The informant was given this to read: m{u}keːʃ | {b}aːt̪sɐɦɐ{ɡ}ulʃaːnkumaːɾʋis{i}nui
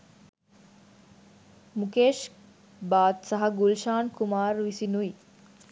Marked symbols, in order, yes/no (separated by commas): yes, yes, yes, yes